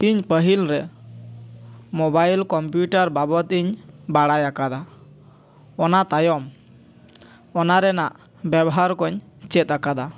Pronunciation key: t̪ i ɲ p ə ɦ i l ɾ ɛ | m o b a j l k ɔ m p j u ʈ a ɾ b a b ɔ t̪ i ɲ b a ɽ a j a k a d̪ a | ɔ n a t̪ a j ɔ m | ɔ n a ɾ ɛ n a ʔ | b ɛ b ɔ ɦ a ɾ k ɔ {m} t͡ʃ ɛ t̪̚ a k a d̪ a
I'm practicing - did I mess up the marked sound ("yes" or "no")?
yes